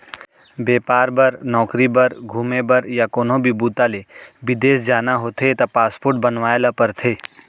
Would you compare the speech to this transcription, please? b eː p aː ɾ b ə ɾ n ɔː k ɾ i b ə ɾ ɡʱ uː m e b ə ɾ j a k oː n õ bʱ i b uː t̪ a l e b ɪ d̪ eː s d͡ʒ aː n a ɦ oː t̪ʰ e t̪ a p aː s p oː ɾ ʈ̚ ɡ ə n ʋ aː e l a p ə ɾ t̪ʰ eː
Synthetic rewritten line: b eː p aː ɾ b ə ɾ n ɔː k ɾ i b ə ɾ ɡʱ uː m e b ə ɾ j a k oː n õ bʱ i b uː t̪ a l e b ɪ d̪ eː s d͡ʒ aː n a ɦ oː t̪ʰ e t̪ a p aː s p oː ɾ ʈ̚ b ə n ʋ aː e l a p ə ɾ t̪ʰ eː